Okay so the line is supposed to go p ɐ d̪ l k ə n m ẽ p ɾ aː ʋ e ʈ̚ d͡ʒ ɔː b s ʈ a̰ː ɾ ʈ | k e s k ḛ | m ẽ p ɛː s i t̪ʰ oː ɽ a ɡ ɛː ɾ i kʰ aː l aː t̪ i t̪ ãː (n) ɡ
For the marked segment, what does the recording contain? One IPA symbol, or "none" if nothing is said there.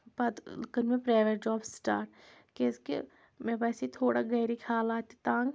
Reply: ŋ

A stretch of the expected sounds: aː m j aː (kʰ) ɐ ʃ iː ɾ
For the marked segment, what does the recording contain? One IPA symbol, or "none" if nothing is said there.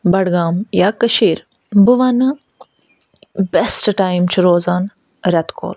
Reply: k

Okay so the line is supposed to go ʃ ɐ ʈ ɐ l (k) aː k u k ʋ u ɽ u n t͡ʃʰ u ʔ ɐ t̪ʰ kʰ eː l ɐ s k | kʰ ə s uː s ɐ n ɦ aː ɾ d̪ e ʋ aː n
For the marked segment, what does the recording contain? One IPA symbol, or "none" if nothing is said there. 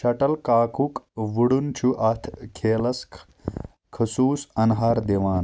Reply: k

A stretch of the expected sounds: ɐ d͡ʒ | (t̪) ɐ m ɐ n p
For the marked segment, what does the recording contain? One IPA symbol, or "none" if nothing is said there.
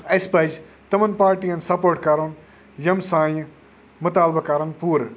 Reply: t̪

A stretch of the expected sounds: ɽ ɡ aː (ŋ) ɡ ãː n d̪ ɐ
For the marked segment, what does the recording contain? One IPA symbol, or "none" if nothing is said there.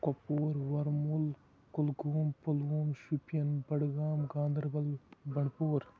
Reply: m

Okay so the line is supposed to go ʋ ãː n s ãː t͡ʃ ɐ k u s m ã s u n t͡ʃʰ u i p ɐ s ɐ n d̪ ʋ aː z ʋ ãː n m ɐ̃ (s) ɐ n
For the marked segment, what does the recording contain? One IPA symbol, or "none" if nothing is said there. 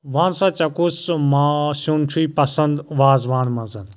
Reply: z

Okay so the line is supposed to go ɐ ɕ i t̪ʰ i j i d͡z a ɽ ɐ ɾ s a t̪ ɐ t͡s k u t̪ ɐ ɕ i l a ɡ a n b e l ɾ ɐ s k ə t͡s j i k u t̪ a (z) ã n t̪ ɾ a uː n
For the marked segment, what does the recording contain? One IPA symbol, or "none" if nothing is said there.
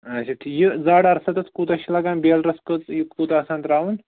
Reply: s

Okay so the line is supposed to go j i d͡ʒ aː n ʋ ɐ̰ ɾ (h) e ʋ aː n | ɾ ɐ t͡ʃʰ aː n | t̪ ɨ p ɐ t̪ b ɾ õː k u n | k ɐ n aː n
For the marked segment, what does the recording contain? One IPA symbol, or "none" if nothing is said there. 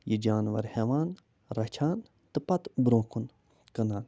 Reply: h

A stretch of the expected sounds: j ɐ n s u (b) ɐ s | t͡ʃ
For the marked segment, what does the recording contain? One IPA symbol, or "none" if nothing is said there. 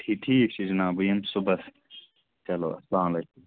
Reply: b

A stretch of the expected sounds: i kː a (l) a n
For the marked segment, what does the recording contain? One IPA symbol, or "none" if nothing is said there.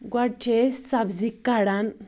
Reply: ɽ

